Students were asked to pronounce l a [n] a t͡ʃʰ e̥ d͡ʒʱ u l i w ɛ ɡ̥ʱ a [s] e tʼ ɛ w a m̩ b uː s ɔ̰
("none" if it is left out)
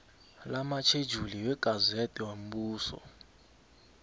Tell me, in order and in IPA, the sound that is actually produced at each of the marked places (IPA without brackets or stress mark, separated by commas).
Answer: m, z